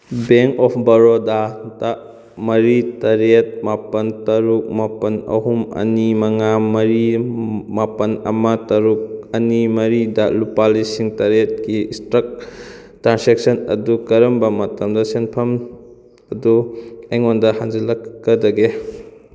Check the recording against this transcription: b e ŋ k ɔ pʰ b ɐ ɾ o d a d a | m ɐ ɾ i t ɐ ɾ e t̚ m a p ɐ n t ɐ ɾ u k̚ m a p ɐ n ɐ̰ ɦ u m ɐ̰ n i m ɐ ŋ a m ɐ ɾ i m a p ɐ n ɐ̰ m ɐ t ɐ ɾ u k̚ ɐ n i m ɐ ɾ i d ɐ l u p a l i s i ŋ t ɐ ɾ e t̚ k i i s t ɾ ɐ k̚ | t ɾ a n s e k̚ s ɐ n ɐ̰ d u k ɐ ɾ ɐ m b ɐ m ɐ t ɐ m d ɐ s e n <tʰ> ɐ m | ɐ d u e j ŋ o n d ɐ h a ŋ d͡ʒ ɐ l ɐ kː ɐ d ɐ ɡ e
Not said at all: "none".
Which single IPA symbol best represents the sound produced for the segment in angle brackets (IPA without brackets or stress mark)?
pʰ